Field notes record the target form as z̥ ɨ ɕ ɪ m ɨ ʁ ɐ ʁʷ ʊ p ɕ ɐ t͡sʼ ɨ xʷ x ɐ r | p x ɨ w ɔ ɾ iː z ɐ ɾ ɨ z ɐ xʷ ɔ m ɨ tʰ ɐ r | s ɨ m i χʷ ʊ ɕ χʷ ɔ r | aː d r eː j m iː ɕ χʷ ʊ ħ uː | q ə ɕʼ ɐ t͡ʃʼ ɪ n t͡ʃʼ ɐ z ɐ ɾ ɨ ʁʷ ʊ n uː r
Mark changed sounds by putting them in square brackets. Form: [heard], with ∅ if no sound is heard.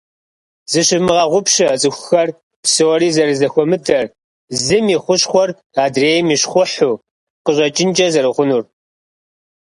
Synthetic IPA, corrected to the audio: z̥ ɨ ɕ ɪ m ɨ ʁ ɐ ʁʷ ʊ p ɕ ɐ t͡sʼ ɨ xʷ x ɐ r | p [s] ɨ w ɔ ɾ iː z ɐ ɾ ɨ z ɐ xʷ ɔ m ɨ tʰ ɐ r | [z] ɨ m i χʷ ʊ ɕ χʷ ɔ r | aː d r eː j m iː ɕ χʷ ʊ ħ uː | q ə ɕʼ ɐ t͡ʃʼ ɪ n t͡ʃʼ ɐ z ɐ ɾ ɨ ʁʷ ʊ n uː r